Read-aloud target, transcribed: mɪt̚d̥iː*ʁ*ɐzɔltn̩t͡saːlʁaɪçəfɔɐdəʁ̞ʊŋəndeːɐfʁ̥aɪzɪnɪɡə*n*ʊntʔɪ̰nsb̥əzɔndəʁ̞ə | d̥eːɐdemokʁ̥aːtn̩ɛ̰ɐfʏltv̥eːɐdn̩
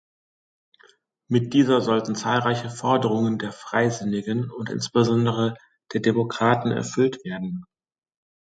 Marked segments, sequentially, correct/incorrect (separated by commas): incorrect, correct